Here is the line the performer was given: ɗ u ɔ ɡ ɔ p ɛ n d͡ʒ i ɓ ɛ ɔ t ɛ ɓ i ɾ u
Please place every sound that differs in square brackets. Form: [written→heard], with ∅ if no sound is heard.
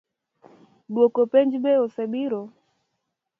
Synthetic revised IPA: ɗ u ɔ [ɡ→k] ɔ p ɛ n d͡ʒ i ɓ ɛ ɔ [t→s] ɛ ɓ i ɾ [u→ɔ]